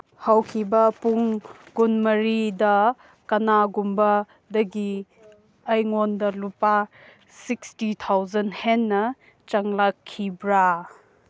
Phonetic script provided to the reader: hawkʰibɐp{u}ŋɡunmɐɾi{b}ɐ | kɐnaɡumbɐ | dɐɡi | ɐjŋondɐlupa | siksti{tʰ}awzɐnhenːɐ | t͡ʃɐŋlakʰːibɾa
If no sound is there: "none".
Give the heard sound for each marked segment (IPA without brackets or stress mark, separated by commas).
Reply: u, d, tʰ